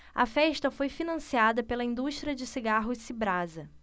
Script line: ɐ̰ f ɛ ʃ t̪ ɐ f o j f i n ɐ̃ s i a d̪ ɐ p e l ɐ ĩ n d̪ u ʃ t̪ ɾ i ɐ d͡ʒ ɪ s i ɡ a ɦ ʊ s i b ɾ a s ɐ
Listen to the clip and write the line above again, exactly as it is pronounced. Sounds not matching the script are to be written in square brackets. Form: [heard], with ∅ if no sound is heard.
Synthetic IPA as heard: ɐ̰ f ɛ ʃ t̪ ɐ f o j f i n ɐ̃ s i a d̪ ɐ p e l ɐ ĩ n d̪ u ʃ t̪ ɾ i ɐ d͡ʒ ɪ s i ɡ a ɦ ʊ s i b ɾ a [z] ɐ